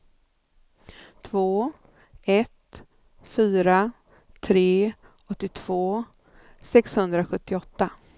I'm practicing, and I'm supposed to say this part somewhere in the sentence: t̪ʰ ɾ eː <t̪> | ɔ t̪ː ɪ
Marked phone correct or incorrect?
incorrect